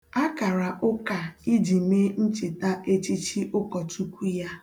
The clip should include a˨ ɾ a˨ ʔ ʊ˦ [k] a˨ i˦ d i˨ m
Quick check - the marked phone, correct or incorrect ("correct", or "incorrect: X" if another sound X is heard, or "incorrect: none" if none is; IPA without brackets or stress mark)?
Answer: correct